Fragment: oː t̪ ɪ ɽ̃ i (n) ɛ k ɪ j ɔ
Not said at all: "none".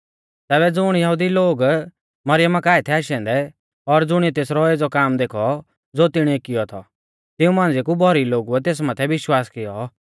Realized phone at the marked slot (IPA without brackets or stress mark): none